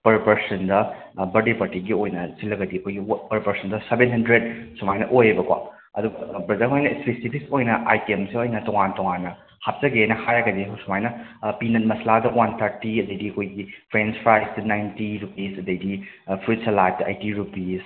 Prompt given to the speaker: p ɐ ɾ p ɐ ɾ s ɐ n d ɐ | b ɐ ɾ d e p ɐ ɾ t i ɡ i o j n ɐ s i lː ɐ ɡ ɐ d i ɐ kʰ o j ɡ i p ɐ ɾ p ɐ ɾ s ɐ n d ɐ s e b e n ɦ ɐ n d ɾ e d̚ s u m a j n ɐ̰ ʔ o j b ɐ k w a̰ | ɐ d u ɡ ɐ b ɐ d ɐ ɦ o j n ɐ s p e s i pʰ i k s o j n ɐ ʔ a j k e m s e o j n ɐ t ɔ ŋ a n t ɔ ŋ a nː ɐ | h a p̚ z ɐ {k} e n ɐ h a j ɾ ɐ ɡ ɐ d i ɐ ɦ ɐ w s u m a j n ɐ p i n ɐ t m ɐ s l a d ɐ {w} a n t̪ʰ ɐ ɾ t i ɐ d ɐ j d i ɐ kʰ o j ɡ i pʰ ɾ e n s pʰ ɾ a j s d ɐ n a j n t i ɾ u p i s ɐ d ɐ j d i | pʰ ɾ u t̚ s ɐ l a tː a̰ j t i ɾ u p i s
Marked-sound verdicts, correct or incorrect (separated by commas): incorrect, correct